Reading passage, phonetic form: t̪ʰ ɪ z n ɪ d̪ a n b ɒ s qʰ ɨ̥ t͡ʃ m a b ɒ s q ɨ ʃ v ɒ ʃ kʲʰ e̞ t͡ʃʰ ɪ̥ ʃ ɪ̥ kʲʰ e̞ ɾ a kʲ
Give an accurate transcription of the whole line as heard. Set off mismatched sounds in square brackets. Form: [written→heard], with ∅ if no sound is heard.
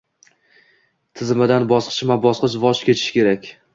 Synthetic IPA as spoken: t̪ʰ ɪ z [n→m] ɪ d̪ a n b ɒ s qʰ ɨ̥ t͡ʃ m a b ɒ s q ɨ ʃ v ɒ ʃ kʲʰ e̞ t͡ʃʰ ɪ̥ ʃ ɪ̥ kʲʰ e̞ ɾ a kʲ